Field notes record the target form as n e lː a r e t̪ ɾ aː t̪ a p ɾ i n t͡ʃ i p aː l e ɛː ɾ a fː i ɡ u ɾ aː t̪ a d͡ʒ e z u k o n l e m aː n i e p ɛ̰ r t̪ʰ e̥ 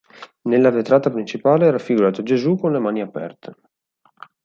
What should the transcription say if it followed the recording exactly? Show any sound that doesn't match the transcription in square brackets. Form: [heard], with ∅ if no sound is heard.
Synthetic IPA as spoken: n e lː a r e t̪ ɾ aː t̪ a p ɾ i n t͡ʃ i p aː l e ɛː ɾ a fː i ɡ u ɾ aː t̪ a d͡ʒ e z u k o n l e m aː n i [a] p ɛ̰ r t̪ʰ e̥